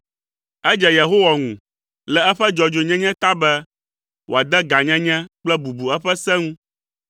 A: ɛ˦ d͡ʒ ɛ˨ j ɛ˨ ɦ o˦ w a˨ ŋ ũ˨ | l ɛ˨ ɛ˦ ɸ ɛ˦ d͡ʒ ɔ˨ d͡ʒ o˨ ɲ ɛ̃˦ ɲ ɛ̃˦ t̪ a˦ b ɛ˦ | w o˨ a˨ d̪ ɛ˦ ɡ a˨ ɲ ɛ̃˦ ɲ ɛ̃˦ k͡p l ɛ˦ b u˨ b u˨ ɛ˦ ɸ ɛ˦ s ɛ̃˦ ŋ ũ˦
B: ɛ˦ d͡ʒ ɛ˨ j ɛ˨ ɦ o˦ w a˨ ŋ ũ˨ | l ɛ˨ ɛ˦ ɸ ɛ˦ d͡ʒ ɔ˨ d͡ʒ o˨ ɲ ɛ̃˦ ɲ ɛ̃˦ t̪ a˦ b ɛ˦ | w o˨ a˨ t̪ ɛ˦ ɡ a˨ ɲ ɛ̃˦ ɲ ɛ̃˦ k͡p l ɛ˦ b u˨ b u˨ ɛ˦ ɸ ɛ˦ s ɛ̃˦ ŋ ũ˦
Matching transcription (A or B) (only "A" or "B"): A